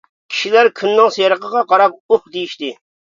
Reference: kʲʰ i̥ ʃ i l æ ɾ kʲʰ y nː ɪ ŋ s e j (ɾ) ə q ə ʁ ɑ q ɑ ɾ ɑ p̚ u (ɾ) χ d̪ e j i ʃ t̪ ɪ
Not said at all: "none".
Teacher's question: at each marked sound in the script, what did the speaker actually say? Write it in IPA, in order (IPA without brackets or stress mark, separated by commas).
ɾ, none